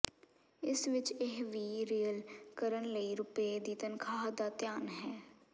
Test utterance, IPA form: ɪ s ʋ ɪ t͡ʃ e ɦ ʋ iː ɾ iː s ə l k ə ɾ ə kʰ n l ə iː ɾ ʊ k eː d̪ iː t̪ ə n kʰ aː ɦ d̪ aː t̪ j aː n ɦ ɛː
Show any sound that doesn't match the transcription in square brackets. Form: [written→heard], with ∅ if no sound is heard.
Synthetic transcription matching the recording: ɪ s ʋ ɪ t͡ʃ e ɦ ʋ iː ɾ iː [s→∅] ə l k ə ɾ ə [kʰ→∅] n l ə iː ɾ ʊ [k→p] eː d̪ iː t̪ ə n kʰ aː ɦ d̪ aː t̪ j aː n ɦ ɛː